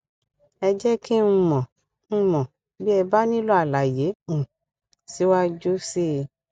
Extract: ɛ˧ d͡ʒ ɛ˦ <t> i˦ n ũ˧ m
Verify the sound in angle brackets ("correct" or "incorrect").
incorrect